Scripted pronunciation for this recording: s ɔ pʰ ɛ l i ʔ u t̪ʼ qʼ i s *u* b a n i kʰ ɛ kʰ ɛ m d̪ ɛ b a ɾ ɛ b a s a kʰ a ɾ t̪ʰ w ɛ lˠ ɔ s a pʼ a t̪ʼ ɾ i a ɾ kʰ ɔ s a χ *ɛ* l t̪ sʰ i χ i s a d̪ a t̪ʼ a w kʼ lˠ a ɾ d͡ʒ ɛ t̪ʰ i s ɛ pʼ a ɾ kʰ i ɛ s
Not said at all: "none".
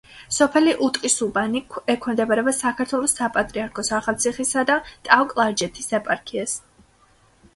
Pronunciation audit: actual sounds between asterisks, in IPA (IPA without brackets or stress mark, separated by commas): u, a